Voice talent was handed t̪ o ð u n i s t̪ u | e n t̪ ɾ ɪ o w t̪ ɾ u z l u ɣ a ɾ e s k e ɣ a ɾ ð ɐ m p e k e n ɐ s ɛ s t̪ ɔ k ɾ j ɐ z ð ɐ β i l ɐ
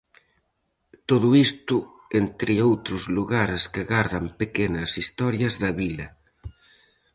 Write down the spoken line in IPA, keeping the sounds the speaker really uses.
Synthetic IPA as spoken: t̪ o ð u i s t̪ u | e n t̪ ɾ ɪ o w t̪ ɾ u z l u ɣ a ɾ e s k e ɣ a ɾ ð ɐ m p e k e n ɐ s i s t̪ ɔ ɾ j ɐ z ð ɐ β i l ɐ